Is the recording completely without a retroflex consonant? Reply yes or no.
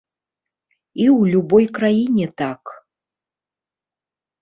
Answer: yes